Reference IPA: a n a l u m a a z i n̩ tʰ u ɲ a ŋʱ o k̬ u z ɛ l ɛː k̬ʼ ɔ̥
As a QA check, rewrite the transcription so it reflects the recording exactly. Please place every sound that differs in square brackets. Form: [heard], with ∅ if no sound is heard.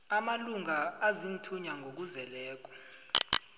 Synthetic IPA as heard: a [m] a l u [ŋ] a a z i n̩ tʰ u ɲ a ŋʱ o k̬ u z ɛ l ɛː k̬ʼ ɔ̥

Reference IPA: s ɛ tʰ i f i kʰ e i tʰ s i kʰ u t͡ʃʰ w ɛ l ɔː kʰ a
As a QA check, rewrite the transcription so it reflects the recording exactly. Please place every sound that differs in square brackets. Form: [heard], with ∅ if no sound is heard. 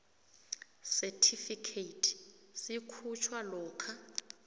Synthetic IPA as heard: s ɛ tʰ i f i kʰ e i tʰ s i kʰ u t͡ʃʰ w [a] l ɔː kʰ a

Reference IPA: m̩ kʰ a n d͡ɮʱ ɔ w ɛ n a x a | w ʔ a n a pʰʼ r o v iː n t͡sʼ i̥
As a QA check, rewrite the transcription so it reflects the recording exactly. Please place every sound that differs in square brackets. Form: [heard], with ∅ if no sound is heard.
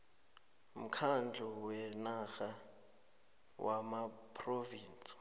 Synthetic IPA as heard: m̩ kʰ a n d͡ɮʱ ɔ w ɛ n a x a | w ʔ a [m] a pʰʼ r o v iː n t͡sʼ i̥

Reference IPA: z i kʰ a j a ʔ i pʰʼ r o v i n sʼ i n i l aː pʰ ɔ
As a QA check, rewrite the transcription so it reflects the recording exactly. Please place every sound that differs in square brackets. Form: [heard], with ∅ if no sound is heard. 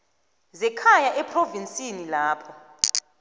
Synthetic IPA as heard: z [ɛ] kʰ a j a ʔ [ɛ] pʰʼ r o v i n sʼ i n i l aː pʰ ɔ

